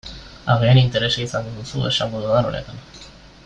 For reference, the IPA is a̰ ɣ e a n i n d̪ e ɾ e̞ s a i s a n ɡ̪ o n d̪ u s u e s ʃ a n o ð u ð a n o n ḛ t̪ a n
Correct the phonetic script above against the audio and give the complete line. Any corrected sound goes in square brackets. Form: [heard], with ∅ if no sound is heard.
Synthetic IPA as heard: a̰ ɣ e a n i n [t̪] e ɾ e̞ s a i s a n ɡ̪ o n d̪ u s u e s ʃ a [m] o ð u ð a n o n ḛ t̪ a n

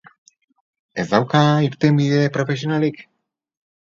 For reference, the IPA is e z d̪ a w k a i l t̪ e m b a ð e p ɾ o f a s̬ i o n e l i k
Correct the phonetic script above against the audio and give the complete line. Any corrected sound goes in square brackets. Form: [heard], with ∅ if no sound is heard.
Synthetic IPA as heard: e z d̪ a w k a i [ɾ] t̪ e m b [i] ð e p ɾ o f [e] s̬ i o n [a] l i k

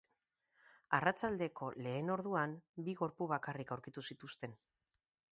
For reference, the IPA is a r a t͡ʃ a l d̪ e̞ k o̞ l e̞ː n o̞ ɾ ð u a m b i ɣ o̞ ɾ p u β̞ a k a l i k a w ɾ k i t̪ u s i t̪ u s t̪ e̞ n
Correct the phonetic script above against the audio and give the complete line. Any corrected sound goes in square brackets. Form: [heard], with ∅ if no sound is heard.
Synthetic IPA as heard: a r a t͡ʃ a l d̪ e̞ k o̞ l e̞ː n o̞ ɾ ð u a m b i ɣ o̞ ɾ p u β̞ a k a [r] i k a w ɾ k i t̪ u s i t̪ u s t̪ e̞ n

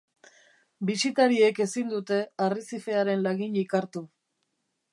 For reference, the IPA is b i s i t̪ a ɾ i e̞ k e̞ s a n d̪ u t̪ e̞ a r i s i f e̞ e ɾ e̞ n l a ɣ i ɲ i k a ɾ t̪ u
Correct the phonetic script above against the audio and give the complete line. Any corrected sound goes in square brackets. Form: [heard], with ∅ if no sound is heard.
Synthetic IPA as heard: b i s i t̪ a ɾ i e̞ k e̞ s [i] n d̪ u t̪ e̞ a r i s i f e̞ [a] ɾ e̞ n l a ɣ i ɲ i k a ɾ t̪ u

